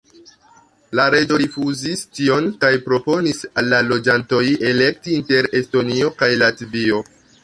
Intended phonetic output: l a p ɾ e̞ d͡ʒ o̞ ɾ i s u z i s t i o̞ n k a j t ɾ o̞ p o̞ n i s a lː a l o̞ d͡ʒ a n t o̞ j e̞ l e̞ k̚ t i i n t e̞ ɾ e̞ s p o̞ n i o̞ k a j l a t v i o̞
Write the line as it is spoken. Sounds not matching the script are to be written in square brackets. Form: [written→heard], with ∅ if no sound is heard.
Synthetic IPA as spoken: l a [p→∅] ɾ e̞ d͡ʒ o̞ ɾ i [s→f] u z i s t i o̞ n k a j [t→p] ɾ o̞ p o̞ n i s a lː a l o̞ d͡ʒ a n t o̞ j e̞ l e̞ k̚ t i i n t e̞ ɾ e̞ s [p→t] o̞ n i o̞ k a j l a t v i o̞